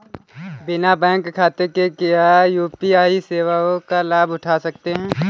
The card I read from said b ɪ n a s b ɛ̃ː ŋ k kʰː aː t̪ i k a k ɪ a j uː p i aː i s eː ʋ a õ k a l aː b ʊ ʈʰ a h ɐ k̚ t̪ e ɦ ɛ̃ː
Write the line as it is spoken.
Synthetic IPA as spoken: b ɪ n a b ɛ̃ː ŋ k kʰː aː t̪ e k e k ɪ a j uː p i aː i s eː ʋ a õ k a l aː b ʊ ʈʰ a s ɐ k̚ t̪ e ɦ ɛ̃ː